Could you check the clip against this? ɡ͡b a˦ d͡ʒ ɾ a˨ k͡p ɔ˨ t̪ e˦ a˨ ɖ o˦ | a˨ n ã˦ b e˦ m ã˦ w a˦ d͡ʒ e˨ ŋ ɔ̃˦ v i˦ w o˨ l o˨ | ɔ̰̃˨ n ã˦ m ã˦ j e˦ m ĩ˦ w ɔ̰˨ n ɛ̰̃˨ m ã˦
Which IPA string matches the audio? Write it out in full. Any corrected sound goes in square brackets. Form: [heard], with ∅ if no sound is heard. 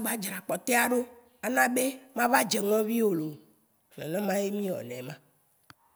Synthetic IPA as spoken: ɡ͡b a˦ d͡ʒ ɾ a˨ k͡p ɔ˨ t̪ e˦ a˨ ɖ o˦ | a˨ n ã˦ b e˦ m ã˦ [v] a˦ d͡ʒ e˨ ŋ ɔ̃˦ v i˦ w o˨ l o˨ | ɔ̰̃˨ n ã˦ m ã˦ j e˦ m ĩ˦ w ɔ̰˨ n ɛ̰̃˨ m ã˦